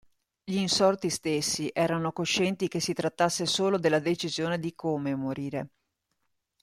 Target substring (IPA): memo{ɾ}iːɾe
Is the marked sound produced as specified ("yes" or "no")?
yes